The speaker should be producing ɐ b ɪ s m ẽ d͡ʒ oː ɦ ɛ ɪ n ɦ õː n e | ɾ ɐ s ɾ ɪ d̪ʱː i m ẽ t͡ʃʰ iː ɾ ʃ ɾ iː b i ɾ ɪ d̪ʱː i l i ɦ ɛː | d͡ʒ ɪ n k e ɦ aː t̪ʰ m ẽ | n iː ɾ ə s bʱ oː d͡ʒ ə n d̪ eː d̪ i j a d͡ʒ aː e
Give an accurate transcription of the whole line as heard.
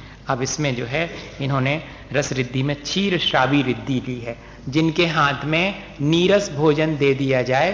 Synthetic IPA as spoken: ɐ b ɪ s m ẽ d͡ʒ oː ɦ ɛ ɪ n ɦ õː n e | ɾ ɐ s ɾ ɪ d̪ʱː i m ẽ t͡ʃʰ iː ɾ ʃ ɾ aː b i ɾ ɪ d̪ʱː i l i ɦ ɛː | d͡ʒ ɪ n k e ɦ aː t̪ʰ m ẽ | n iː ɾ ə s bʱ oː d͡ʒ ə n d̪ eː d̪ i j a d͡ʒ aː e